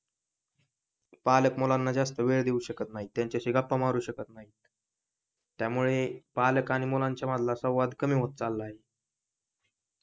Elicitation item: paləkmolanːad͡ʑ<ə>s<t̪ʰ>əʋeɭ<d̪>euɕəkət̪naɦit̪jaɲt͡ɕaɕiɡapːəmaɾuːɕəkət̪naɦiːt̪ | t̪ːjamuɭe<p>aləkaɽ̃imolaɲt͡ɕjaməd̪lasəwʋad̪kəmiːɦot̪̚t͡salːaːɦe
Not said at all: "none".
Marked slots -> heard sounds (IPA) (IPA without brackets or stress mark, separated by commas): a, t̪, d̪, p